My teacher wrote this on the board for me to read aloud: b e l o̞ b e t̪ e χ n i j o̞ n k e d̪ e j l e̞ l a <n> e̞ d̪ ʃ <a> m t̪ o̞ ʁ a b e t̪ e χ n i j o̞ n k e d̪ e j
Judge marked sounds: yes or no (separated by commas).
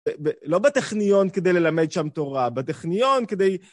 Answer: no, yes